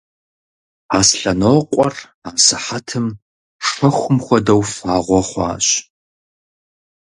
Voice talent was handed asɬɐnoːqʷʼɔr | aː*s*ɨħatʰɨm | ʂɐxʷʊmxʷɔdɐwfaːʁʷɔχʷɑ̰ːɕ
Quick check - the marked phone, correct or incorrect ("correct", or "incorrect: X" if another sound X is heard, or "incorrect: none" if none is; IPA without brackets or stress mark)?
correct